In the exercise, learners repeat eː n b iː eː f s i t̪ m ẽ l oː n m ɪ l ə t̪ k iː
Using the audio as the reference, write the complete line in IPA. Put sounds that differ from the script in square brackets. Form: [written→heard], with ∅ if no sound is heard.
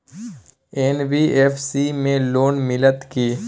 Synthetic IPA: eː n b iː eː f s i [t̪→∅] m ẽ l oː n m ɪ l ə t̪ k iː